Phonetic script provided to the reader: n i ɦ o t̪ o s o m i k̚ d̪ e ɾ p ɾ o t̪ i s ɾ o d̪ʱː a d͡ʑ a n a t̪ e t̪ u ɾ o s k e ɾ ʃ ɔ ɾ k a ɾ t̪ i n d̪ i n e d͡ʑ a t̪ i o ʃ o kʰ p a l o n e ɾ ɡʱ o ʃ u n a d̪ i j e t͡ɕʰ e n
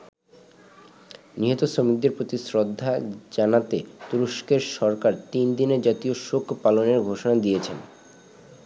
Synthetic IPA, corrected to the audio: n i ɦ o t̪ o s o m i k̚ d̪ e ɾ p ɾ o t̪ i s ɾ o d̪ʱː a d͡ʑ a n a t̪ e t̪ u ɾ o ʃ k e ɾ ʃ ɔ ɾ k a ɾ t̪ i n d̪ i n e d͡ʑ a t̪ i o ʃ o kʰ p a l o n e ɾ ɡʱ o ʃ o n a d̪ i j e t͡ɕʰ e n